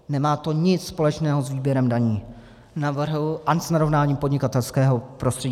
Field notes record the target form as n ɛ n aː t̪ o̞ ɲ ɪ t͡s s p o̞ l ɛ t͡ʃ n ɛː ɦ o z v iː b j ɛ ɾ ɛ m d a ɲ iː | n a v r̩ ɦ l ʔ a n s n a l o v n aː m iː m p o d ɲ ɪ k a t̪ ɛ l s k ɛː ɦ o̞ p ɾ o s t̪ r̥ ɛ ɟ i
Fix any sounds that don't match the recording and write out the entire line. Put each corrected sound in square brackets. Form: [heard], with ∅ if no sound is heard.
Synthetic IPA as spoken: n ɛ [m] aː t̪ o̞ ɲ ɪ t͡s s p o̞ l ɛ t͡ʃ n ɛː ɦ o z v iː b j ɛ ɾ ɛ m d a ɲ iː | n a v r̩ ɦ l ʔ a n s n a [ɾ] o v n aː [ɲ] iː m p o d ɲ ɪ k a t̪ ɛ l s k ɛː ɦ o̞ p ɾ o s t̪ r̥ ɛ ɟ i